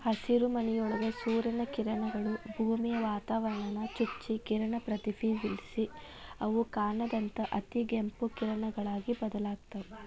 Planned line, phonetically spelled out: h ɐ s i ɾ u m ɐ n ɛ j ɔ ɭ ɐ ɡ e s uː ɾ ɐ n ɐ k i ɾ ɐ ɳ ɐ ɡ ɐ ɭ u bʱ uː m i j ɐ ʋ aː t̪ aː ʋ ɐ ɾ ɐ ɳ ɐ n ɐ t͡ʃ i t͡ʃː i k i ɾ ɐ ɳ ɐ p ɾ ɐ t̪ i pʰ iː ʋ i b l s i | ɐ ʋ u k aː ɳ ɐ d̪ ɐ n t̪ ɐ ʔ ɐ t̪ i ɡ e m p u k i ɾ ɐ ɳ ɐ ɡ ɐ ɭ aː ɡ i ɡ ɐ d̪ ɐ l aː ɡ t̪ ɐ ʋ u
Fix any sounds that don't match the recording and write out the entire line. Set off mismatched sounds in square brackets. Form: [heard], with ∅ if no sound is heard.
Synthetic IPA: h ɐ s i ɾ u m ɐ n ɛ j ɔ ɭ ɐ ɡ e s uː ɾ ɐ n ɐ k i ɾ ɐ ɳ ɐ ɡ ɐ ɭ u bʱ uː m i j ɐ ʋ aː t̪ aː ʋ ɐ ɾ ɐ ɳ ɐ n ɐ t͡ʃ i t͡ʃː i k i ɾ ɐ ɳ ɐ p ɾ ɐ t̪ i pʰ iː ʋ i [∅] l s i | ɐ ʋ u k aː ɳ ɐ d̪ ɐ n t̪ ɐ ʔ ɐ t̪ i ɡ e m p u k i ɾ ɐ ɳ ɐ ɡ ɐ ɭ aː ɡ i [b] ɐ d̪ ɐ l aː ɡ t̪ ɐ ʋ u